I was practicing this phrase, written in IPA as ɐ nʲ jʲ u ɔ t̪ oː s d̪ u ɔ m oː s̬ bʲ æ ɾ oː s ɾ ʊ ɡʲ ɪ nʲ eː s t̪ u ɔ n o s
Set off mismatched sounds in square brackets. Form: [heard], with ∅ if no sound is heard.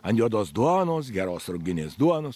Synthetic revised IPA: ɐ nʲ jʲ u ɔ [d̪] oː s d̪ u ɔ [n] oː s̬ [ɡʲ] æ ɾ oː s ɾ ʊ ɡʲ ɪ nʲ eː s [d̪] u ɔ n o s